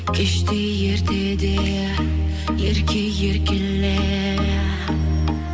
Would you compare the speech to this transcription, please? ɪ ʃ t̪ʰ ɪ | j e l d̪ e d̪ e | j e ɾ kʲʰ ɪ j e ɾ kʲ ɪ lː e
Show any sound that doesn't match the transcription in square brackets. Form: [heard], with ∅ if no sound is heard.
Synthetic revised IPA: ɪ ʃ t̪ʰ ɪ | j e [ɾ] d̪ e d̪ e | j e ɾ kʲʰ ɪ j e ɾ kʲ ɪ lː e